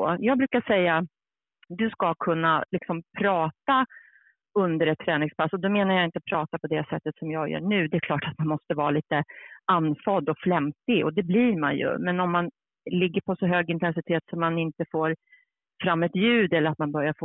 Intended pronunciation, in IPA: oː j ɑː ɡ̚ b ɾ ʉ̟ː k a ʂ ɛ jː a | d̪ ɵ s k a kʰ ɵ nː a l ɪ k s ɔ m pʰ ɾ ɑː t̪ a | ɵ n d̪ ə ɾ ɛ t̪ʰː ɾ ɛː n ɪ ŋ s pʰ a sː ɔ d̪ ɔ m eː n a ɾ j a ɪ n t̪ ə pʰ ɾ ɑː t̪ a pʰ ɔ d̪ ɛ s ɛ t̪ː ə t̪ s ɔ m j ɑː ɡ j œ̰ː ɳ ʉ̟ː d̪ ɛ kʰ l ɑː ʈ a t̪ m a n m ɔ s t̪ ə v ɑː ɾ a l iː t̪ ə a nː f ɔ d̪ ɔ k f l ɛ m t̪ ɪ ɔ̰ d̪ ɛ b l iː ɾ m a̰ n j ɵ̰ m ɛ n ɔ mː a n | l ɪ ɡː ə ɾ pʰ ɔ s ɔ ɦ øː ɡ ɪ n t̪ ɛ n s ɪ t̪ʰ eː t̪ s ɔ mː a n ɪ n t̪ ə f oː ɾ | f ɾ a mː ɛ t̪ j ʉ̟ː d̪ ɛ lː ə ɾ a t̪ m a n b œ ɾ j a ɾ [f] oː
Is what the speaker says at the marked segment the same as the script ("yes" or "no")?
yes